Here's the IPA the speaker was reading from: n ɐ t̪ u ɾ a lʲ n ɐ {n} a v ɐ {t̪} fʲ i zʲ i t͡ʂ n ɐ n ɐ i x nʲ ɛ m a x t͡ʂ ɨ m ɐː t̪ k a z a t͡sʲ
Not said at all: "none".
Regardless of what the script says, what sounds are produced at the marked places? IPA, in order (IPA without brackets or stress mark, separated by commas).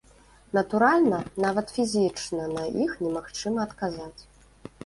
n, t̪